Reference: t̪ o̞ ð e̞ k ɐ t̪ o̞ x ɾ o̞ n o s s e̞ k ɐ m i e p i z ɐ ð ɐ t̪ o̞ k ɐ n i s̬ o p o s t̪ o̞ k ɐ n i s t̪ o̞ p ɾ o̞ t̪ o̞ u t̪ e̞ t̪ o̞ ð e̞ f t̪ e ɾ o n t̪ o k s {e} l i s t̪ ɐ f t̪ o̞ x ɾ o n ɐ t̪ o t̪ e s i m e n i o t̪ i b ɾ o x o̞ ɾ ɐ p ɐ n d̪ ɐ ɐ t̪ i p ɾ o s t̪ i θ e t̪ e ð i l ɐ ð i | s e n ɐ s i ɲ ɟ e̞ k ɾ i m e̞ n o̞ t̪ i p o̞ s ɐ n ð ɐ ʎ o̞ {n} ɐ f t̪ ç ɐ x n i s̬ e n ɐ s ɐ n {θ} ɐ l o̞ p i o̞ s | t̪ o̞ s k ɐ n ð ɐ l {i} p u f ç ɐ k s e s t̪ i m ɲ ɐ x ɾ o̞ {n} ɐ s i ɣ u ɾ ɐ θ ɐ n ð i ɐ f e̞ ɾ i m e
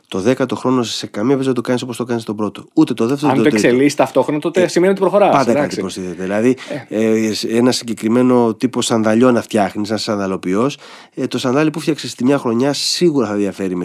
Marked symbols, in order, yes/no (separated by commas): yes, yes, no, yes, no